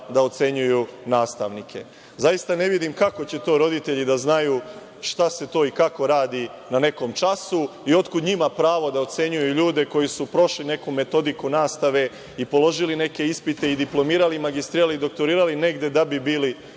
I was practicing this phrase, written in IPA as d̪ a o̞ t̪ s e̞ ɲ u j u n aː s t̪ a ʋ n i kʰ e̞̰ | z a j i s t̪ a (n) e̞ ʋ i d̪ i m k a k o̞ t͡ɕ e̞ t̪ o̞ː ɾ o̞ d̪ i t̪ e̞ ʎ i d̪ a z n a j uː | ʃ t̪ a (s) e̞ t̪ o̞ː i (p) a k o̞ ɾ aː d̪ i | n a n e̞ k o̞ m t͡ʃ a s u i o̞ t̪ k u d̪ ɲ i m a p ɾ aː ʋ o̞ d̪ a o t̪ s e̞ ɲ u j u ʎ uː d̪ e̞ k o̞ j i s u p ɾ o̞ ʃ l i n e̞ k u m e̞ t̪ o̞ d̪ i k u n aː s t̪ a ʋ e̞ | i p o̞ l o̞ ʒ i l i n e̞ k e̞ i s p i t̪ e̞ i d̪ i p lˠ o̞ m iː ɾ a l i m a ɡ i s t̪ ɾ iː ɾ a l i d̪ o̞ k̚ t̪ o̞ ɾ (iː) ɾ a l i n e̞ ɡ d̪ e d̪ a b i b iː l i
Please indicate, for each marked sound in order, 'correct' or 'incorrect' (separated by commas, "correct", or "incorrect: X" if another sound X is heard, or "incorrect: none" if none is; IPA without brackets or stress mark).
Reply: correct, correct, incorrect: k, correct